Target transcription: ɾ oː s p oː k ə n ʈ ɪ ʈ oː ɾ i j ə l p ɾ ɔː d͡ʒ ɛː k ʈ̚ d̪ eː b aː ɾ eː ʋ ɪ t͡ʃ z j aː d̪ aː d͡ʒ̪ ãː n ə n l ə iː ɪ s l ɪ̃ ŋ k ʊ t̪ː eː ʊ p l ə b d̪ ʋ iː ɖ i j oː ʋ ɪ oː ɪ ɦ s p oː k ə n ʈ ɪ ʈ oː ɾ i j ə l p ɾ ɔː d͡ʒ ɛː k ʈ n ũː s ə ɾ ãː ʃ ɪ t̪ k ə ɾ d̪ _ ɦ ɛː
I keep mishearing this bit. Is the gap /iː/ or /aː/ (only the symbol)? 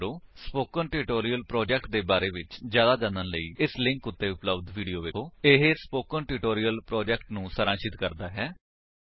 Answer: aː